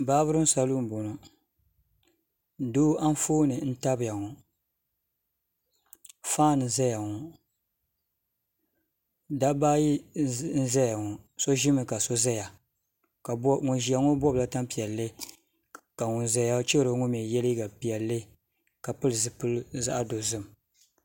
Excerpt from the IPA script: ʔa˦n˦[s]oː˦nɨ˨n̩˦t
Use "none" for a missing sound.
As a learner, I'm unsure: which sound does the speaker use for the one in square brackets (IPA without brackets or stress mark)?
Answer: f